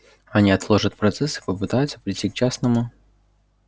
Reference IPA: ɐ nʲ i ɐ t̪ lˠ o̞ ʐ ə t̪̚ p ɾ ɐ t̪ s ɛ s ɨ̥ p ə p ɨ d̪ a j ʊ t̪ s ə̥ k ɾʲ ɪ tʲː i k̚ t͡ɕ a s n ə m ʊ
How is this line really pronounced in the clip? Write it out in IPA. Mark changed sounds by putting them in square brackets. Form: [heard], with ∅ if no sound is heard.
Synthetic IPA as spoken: ɐ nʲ i ɐ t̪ lˠ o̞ ʐ ə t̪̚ p ɾ ɐ t̪ s ɛ s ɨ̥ p ə p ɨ [t̪] a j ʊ t̪ s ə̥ [p] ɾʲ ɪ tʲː i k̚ t͡ɕ a s n ə m ʊ